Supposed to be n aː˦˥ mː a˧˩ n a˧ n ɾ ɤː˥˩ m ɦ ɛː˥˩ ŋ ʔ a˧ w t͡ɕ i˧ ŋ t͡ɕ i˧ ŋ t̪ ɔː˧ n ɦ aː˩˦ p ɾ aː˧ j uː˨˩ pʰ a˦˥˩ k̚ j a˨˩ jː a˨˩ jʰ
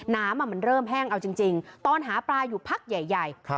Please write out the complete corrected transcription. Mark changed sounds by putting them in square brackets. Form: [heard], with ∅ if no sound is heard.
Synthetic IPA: n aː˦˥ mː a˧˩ [m] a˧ n ɾ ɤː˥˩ m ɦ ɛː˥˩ ŋ ʔ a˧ w t͡ɕ i˧ ŋ t͡ɕ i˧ ŋ t̪ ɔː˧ n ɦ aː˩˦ p ɾ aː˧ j uː˨˩ pʰ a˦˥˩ k̚ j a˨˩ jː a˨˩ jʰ